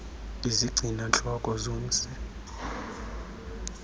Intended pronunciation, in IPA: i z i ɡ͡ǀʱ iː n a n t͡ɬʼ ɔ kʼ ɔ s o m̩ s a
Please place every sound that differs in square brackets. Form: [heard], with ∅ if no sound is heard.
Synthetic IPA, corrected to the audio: i z i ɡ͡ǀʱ [i] n a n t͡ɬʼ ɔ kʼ ɔ [z] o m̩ s [ɛ]